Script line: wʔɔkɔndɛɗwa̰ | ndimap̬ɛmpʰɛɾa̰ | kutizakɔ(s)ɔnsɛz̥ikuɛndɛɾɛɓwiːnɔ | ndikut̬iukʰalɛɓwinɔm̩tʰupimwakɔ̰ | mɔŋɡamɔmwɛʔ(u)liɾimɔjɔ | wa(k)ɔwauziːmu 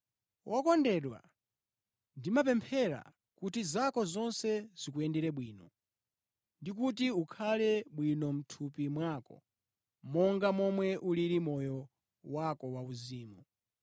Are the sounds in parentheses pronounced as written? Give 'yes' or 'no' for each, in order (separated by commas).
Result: no, yes, yes